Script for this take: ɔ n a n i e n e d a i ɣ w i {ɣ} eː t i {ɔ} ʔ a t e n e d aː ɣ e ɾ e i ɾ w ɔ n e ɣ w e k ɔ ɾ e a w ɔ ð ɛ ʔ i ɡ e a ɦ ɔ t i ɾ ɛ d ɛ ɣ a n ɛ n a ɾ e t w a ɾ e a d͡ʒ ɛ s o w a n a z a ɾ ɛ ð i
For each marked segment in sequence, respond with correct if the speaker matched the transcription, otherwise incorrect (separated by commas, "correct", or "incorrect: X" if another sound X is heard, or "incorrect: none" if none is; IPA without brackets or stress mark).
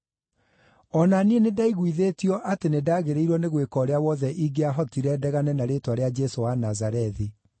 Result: incorrect: ð, correct